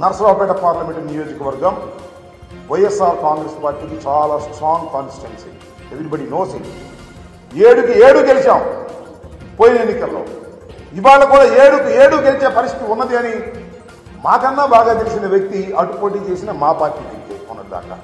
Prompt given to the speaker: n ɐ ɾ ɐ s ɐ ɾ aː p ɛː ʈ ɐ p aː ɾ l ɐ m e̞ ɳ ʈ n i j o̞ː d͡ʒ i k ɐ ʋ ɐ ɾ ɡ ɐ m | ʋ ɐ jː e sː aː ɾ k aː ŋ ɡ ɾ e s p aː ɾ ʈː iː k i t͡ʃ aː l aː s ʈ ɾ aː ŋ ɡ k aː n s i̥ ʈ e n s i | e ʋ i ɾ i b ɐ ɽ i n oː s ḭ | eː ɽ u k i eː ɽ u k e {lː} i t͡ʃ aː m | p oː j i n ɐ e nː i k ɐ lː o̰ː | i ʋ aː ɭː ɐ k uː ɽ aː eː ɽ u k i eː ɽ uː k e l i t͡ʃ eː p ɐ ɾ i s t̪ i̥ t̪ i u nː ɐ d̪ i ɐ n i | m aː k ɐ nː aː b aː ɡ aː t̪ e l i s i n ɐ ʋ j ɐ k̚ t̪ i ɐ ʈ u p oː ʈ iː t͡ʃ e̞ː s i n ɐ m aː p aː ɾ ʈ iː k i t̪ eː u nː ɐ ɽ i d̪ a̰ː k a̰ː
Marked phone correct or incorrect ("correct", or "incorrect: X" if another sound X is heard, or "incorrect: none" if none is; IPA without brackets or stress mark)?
incorrect: l